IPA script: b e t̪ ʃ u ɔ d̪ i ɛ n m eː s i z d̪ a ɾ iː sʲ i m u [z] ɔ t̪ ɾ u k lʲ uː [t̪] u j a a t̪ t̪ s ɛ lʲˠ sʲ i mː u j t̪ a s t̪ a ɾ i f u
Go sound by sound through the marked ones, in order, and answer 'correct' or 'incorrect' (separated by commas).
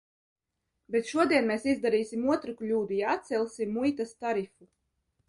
incorrect, incorrect